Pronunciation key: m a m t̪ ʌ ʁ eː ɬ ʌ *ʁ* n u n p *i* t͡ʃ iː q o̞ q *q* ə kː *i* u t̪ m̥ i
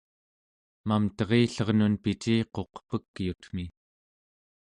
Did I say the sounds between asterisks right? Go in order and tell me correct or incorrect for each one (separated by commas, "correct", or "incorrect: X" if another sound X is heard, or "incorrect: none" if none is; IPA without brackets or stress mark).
correct, correct, incorrect: p, incorrect: j